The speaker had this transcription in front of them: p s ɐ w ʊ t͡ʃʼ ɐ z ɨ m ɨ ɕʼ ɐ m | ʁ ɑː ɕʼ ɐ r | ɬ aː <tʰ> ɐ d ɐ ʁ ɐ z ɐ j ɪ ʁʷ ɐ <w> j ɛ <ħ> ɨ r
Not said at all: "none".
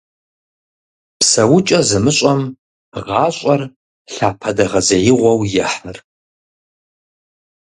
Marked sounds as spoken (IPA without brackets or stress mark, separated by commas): pʰ, w, ħ